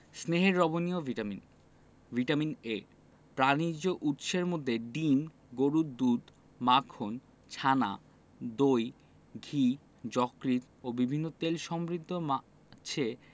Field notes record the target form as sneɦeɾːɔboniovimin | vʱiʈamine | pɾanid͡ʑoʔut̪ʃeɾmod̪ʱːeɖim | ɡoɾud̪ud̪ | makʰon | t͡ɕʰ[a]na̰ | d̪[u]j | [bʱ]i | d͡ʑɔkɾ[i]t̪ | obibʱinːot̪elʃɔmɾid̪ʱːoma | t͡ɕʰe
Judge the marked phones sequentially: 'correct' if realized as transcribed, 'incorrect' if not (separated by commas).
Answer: correct, incorrect, incorrect, correct